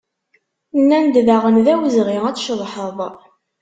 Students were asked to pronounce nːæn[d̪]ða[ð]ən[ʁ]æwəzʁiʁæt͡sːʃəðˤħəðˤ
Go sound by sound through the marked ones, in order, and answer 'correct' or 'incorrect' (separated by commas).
correct, incorrect, incorrect